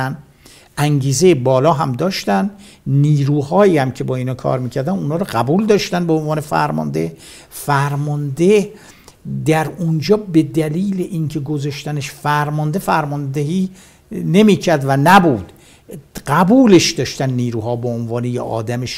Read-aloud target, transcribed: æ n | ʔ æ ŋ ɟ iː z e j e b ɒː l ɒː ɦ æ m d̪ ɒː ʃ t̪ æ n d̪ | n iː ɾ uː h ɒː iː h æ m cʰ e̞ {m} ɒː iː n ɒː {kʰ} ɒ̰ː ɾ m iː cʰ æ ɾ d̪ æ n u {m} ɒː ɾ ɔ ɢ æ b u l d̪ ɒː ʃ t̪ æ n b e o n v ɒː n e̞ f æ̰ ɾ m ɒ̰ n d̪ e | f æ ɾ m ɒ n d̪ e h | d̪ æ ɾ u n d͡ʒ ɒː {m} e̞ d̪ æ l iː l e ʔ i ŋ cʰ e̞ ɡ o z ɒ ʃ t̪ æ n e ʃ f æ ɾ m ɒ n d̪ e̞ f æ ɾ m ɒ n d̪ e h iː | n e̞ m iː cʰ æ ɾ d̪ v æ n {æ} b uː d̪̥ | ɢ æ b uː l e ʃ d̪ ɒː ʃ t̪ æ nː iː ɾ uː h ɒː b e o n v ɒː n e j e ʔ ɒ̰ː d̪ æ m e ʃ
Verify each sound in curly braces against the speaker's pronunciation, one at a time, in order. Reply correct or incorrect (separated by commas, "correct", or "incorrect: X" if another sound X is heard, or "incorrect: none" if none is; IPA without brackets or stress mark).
incorrect: b, correct, incorrect: n, incorrect: b, correct